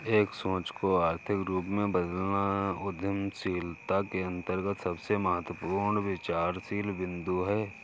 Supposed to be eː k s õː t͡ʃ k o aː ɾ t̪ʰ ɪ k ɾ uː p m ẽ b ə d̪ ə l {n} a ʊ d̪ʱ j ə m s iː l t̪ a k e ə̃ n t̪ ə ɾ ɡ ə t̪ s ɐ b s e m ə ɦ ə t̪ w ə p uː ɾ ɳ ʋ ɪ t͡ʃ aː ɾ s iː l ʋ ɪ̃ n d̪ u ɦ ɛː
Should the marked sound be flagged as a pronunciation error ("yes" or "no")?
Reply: no